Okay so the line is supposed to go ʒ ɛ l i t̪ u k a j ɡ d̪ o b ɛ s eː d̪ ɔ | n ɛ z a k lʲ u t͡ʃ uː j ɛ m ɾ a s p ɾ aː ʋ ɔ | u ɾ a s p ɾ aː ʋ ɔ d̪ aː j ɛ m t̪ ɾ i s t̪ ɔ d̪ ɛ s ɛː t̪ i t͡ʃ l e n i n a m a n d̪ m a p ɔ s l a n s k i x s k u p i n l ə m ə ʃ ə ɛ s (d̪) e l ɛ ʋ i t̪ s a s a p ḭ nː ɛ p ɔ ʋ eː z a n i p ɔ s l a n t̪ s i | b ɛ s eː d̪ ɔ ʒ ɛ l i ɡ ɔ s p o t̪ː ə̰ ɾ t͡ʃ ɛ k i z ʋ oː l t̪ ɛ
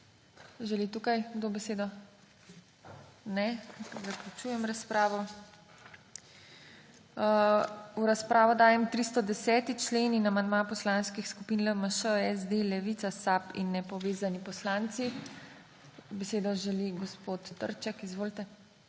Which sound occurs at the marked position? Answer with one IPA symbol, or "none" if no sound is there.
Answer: d̪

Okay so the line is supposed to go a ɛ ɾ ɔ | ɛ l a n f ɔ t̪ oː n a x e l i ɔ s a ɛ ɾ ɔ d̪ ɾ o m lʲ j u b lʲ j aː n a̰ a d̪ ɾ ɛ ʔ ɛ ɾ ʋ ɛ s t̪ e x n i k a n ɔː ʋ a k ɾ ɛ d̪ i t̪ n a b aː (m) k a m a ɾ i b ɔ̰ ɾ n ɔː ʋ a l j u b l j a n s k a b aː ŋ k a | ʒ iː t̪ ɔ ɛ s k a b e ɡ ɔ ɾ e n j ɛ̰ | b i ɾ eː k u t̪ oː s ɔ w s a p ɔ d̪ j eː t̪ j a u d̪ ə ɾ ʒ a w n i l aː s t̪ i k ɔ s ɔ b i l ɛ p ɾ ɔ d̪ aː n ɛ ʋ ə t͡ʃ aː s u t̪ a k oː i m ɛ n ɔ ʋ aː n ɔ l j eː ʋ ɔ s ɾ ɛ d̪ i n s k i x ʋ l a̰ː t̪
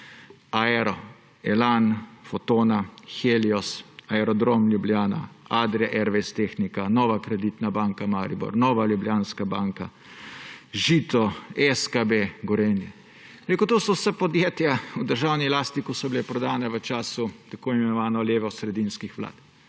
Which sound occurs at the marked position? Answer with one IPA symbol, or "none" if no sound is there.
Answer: ŋ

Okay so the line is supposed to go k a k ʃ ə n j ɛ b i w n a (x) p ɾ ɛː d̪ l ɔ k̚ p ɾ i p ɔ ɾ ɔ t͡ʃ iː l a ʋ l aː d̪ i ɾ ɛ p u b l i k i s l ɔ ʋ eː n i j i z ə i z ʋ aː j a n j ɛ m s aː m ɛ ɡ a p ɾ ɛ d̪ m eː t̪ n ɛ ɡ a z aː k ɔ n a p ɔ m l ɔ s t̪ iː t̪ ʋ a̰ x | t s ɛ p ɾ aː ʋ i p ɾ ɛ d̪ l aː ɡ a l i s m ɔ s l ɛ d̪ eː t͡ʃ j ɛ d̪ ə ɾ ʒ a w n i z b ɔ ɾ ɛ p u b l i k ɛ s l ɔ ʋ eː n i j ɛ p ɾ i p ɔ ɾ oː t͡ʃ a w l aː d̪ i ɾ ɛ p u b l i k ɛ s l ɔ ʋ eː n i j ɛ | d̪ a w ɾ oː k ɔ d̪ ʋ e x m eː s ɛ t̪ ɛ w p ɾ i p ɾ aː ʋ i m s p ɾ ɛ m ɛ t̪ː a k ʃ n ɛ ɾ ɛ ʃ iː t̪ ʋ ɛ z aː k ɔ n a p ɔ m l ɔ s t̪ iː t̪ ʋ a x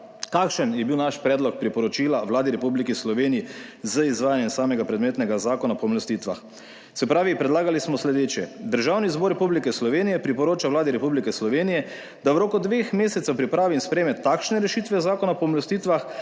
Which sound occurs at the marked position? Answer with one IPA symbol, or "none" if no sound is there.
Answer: ʃ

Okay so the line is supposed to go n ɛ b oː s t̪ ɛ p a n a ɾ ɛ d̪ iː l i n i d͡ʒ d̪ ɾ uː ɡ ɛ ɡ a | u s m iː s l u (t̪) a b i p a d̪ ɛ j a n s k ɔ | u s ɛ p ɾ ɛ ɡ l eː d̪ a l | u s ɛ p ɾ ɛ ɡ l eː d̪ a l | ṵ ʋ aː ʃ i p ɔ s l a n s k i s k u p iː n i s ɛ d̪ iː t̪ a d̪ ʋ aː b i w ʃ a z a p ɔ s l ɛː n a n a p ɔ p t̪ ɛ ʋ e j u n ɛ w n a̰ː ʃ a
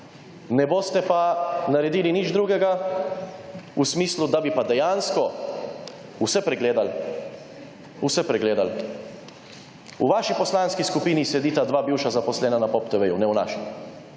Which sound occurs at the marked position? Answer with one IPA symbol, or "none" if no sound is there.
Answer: d̪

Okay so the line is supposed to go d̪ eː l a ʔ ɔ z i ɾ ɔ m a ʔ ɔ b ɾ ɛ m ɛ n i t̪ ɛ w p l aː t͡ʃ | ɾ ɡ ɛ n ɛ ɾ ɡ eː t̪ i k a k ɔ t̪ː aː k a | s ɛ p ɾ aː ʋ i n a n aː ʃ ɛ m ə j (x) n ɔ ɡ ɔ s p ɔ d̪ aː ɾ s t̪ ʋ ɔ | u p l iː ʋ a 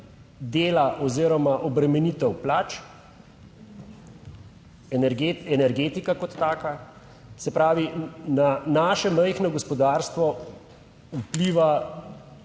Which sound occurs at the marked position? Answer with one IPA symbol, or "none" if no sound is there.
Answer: x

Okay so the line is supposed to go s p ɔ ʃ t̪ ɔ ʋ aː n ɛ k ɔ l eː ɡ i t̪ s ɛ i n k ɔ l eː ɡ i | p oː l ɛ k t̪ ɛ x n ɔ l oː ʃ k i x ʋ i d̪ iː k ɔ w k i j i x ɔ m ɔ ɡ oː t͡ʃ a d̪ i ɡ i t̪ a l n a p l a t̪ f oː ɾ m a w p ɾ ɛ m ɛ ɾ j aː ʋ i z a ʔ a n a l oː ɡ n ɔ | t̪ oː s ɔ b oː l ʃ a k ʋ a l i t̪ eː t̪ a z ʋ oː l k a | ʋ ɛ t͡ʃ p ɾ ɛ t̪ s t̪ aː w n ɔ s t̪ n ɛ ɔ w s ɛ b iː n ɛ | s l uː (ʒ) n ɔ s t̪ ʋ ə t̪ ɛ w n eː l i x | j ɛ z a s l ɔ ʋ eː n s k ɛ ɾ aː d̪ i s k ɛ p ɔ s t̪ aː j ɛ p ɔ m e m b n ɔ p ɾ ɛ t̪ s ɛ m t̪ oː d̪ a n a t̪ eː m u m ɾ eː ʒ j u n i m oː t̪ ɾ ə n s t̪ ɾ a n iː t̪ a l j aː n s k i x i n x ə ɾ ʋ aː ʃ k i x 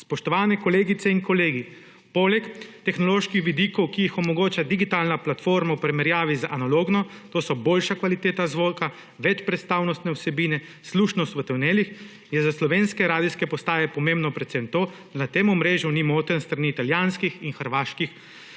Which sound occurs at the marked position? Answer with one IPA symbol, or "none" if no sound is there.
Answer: ʃ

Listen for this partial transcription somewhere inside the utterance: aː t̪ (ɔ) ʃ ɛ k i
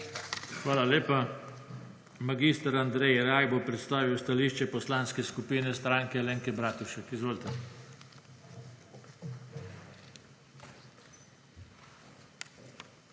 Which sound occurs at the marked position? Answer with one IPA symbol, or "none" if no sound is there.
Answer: u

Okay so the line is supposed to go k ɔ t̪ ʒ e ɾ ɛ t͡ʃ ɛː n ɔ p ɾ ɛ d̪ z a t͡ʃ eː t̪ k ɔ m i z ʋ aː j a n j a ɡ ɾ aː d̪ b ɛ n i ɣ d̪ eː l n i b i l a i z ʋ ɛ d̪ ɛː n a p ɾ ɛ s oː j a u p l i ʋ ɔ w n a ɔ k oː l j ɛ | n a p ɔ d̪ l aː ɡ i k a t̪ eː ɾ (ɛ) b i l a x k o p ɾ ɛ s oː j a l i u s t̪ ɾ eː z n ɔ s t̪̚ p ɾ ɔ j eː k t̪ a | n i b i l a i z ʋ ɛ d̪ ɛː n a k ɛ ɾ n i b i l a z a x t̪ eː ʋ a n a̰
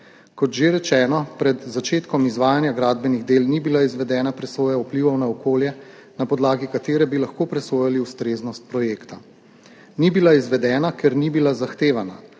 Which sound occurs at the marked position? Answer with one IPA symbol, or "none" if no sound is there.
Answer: ɛ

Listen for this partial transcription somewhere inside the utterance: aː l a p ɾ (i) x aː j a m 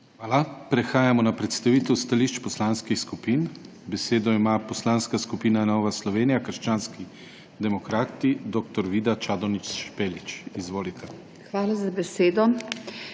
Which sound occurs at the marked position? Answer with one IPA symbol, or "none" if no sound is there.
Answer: ɛ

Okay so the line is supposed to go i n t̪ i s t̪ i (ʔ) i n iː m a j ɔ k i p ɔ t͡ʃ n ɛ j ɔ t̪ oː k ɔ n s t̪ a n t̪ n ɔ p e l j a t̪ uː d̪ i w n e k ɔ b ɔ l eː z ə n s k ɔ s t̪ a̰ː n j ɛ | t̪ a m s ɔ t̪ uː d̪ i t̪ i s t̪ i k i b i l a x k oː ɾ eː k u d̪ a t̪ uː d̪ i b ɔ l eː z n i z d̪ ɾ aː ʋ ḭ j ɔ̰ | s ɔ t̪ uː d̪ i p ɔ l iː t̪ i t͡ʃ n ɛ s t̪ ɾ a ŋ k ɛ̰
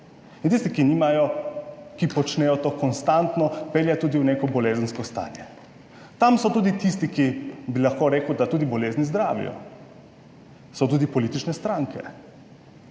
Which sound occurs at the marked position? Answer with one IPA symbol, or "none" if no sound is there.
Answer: k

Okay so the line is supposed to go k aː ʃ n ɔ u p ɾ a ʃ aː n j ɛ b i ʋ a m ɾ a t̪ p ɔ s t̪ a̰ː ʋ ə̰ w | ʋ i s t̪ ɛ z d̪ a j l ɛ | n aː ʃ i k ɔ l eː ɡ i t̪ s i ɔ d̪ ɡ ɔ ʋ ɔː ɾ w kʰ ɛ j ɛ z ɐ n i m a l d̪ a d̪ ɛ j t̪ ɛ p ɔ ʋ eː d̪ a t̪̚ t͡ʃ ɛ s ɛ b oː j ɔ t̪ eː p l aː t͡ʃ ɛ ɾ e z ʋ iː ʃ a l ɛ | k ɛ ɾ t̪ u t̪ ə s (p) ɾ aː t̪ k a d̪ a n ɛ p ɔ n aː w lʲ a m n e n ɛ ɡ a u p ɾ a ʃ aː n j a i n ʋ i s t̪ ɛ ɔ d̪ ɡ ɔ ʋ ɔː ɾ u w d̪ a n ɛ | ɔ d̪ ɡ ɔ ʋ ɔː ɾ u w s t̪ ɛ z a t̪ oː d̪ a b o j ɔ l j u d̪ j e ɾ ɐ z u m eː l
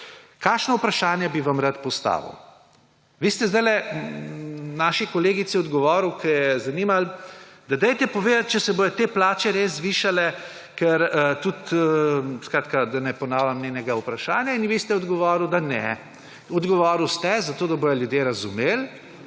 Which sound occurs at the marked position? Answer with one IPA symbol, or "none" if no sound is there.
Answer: k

